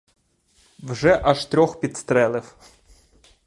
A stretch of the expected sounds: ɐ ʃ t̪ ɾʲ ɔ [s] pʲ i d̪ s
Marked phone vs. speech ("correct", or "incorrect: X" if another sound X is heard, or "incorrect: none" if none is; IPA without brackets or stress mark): incorrect: x